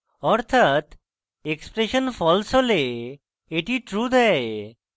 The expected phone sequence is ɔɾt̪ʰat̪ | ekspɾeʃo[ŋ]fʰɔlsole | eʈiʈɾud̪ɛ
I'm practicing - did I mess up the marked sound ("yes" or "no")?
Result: yes